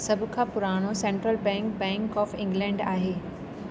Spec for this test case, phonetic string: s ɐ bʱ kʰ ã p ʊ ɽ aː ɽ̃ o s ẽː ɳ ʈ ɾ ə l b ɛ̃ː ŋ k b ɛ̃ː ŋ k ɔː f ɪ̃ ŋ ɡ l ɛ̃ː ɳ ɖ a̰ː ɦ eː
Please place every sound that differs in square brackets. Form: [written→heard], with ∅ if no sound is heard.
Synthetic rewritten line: s ɐ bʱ kʰ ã p ʊ [ɽ→ɾ] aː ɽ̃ o s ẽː ɳ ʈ ɾ ə l b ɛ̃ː ŋ k b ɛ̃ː ŋ k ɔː f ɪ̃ ŋ ɡ l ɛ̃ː ɳ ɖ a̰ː ɦ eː